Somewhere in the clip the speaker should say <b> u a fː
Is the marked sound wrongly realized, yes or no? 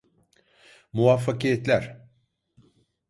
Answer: yes